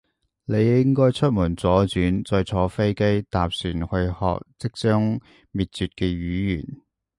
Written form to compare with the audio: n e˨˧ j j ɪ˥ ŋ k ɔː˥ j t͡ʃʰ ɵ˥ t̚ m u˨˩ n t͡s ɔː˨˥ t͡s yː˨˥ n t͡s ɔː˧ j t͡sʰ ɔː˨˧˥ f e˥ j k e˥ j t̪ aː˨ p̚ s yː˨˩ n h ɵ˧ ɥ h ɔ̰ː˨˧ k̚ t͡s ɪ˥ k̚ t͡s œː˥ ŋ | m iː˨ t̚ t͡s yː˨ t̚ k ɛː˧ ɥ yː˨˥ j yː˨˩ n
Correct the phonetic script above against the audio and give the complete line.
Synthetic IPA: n e˨˧ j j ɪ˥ ŋ k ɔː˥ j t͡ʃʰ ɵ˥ t̚ m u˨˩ n t͡s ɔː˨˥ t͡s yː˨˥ n t͡s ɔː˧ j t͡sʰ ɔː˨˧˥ f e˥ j k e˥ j t̪ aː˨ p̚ s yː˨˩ n h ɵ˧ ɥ h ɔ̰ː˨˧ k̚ t͡s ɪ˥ k̚ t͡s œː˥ ŋ | m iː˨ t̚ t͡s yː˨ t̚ k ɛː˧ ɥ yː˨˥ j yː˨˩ n

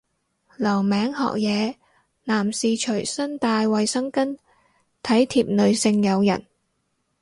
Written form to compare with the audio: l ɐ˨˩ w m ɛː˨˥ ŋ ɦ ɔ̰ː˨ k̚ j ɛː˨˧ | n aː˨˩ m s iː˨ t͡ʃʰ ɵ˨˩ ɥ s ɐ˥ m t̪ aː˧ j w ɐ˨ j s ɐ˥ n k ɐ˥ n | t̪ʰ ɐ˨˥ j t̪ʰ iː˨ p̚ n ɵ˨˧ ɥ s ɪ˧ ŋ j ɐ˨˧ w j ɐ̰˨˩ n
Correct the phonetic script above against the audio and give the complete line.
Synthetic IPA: l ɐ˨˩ w m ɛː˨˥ ŋ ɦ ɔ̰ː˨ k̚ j ɛː˨˧ | n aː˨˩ m s iː˨ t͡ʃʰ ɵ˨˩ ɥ s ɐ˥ n t̪ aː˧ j w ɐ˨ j s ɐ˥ ŋ k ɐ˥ n | t̪ʰ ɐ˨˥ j t̪ʰ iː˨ p̚ n ɵ˨˧ ɥ s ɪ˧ ŋ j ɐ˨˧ w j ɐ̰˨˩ n

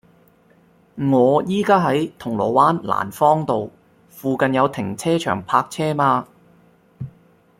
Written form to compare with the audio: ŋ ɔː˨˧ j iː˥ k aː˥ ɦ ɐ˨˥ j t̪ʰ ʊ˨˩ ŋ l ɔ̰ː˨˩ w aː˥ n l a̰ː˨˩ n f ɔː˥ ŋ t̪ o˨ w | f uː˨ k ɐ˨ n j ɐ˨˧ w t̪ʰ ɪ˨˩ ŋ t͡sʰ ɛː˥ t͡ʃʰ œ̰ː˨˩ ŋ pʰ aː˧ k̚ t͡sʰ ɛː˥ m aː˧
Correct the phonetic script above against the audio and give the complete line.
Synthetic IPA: ŋ ɔː˨˧ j iː˥ k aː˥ ɦ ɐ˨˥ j t̪ʰ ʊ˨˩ ŋ l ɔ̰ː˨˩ w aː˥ n l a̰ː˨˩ n f ɔː˥ ŋ t̪ o˨ w | f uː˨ k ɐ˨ n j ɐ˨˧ w t̪ʰ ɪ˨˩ ŋ t͡sʰ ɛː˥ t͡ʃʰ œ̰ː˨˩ ŋ pʰ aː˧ k̚ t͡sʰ ɛː˥ m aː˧

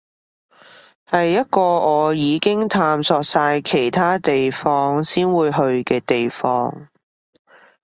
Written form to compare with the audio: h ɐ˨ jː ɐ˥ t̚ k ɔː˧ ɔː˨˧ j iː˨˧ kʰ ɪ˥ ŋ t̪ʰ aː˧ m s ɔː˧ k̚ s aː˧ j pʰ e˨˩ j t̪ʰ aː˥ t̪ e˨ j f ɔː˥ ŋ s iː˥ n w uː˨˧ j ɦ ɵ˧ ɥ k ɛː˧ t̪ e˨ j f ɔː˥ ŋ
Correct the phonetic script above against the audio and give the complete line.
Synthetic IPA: h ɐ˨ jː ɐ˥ t̚ k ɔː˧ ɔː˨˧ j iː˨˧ k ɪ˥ ŋ t̪ʰ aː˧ m s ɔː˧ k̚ s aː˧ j kʰ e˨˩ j t̪ʰ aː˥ t̪ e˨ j f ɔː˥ ŋ s iː˥ n w uː˨˧ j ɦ ɵ˧ ɥ k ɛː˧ t̪ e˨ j f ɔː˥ ŋ

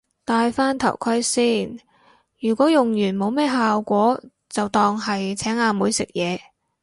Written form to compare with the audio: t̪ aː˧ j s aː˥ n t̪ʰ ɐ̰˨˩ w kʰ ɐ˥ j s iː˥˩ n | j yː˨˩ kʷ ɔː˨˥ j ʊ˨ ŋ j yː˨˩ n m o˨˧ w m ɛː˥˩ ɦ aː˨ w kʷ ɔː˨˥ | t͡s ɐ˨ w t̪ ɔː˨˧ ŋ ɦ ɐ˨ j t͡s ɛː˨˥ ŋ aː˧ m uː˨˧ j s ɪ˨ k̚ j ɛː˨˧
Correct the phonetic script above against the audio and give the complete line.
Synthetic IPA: t̪ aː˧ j f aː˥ n t̪ʰ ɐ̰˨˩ w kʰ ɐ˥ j s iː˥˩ n | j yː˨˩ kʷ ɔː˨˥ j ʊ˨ ŋ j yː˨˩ n m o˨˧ w m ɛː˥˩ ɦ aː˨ w kʷ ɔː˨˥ | t͡s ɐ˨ w t̪ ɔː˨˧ ŋ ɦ ɐ˨ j t͡sʰ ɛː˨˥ ŋ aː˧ m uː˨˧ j s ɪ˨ k̚ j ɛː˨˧

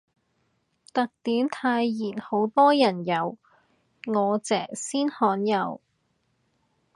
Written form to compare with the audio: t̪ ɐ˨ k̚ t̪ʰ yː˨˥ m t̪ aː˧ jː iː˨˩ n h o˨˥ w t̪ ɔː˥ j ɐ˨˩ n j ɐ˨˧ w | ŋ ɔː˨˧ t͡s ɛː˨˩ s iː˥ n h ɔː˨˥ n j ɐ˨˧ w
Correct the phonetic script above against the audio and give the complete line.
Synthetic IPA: t̪ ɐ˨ k̚ t̪ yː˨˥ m t̪ʰ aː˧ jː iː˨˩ n h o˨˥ w t̪ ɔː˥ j ɐ˨˩ n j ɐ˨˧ w | ŋ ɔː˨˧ t͡s ɛː˨˩ s iː˥ n h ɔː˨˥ n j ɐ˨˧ w

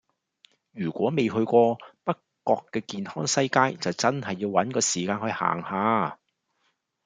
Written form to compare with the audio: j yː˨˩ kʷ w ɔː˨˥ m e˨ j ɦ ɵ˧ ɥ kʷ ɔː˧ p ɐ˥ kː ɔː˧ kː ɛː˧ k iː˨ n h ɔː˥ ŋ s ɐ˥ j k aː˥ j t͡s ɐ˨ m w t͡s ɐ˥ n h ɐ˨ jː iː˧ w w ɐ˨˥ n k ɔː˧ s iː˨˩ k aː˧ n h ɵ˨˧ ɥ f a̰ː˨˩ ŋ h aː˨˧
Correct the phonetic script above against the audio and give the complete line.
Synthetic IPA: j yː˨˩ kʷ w ɔː˨˥ m e˨ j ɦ ɵ˧ ɥ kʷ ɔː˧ p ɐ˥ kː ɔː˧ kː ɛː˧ k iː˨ n h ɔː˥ ŋ s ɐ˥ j k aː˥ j t͡s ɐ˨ w t͡s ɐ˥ n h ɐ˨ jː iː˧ w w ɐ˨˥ n k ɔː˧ s iː˨˩ k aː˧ n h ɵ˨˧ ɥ h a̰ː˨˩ ŋ h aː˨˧

